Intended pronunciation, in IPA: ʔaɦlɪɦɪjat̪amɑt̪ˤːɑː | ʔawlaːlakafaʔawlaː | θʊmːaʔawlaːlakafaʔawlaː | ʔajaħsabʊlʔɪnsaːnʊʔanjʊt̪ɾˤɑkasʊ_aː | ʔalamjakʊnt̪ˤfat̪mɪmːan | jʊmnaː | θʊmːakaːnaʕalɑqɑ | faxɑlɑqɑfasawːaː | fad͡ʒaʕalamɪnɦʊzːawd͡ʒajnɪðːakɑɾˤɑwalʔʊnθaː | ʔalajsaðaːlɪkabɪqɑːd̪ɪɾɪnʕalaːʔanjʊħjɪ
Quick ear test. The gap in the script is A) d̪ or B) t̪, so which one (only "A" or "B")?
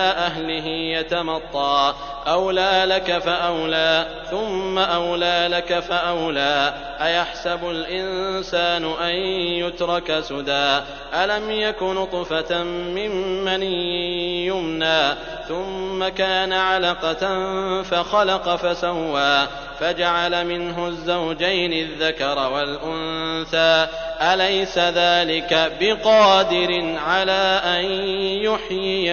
A